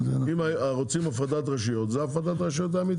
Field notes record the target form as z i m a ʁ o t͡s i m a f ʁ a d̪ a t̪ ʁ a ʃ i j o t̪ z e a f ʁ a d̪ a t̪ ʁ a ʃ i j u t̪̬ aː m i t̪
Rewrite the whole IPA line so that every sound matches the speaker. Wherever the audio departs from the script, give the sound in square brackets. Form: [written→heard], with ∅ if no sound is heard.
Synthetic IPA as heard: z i m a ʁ o t͡s i m a f ʁ a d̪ a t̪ ʁ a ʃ i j o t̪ z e a f ʁ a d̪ a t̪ ʁ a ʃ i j [u→o] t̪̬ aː m i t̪